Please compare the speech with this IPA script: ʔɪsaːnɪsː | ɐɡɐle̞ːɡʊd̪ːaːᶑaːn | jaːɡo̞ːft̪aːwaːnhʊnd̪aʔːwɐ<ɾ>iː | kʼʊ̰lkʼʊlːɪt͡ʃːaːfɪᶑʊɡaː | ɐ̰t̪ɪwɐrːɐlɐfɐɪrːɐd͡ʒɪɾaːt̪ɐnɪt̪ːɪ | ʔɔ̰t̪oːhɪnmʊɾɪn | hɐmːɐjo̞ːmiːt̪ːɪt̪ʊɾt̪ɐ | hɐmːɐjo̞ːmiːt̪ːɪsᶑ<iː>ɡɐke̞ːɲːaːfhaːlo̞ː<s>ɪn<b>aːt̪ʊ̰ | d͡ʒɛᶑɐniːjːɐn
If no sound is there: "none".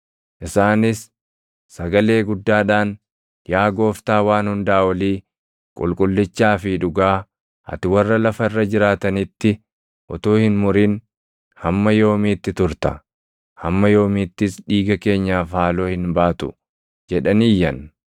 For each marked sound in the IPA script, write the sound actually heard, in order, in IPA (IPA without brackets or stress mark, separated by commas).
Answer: l, iː, h, b